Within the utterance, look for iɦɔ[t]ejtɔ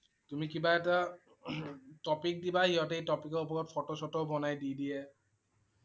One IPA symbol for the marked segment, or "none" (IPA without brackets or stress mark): t